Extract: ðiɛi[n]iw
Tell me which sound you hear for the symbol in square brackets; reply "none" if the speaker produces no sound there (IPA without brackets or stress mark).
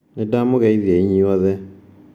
ɲ